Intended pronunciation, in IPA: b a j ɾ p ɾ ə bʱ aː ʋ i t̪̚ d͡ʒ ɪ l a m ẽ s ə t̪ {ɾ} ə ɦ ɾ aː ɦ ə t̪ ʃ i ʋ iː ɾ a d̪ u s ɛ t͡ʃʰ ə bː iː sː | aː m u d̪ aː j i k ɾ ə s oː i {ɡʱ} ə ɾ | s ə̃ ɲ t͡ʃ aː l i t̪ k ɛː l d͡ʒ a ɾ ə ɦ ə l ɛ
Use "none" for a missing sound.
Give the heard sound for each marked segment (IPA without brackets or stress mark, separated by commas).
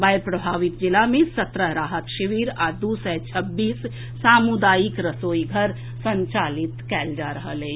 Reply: ɾ, ɡʱ